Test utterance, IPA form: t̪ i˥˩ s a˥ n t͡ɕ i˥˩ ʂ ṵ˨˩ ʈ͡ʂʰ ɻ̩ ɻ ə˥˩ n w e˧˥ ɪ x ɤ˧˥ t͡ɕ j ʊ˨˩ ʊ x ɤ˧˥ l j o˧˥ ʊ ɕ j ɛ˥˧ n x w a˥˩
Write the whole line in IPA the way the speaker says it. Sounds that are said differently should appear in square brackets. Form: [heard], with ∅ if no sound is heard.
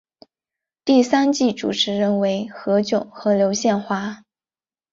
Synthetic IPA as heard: t̪ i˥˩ s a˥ n t͡ɕ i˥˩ [ʈ͡ʂ] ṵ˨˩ ʈ͡ʂʰ ɻ̩ ɻ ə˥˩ n w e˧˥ ɪ x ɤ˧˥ t͡ɕ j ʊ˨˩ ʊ x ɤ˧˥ l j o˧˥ ʊ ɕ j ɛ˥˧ n x w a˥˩